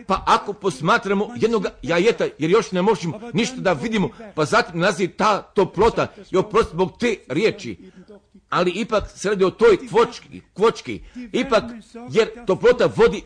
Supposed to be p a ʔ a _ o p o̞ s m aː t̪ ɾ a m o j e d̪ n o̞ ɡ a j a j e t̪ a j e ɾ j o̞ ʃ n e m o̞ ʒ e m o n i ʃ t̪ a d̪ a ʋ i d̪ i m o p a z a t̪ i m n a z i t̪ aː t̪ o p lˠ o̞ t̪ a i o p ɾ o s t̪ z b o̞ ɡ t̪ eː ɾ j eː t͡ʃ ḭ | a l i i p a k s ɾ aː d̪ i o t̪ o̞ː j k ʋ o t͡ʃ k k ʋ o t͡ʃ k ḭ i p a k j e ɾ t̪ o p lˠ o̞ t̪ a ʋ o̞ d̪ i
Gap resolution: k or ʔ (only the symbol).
k